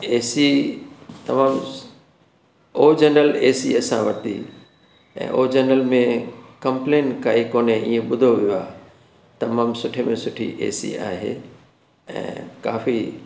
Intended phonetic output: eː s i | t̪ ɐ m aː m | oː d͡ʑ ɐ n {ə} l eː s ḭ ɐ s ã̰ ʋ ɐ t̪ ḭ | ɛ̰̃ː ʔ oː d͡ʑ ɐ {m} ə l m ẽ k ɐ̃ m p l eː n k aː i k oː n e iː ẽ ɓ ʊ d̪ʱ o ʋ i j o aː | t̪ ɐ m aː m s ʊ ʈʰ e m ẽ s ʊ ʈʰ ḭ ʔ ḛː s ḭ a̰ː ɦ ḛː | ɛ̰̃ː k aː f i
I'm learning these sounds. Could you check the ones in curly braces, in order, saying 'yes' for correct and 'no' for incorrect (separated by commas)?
yes, no